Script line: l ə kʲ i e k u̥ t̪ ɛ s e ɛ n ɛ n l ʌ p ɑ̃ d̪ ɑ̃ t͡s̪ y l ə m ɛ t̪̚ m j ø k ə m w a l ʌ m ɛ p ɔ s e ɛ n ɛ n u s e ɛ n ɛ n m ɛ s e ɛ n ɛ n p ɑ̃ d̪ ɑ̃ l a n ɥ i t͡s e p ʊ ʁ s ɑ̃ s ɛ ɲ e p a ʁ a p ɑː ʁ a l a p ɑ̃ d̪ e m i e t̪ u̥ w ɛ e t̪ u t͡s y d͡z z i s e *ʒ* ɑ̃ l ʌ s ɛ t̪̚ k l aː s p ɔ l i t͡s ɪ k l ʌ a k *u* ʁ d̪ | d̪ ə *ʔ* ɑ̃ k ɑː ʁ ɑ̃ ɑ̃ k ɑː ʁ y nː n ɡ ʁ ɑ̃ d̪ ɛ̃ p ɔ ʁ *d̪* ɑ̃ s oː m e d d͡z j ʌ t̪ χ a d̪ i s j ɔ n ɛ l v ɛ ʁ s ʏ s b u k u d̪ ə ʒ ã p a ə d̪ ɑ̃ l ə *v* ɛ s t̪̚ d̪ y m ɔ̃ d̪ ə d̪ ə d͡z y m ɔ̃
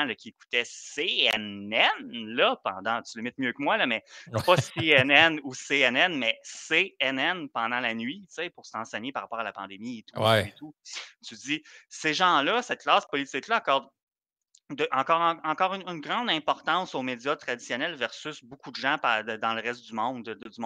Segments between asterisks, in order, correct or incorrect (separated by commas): correct, incorrect, correct, incorrect, incorrect